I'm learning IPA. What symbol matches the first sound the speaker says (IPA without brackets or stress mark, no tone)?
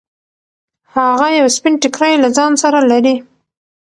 h